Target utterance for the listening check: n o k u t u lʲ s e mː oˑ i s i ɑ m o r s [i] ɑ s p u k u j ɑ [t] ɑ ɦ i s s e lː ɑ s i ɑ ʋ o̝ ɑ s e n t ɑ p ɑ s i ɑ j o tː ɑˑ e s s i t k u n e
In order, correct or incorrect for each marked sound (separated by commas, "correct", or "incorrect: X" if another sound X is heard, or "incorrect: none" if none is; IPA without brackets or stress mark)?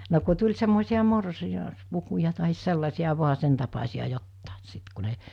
correct, correct